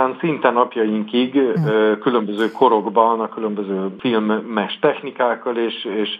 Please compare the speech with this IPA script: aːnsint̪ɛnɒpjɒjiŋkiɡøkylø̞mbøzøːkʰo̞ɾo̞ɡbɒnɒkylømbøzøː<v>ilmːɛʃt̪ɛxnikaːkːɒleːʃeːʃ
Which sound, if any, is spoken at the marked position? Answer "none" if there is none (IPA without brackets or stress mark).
f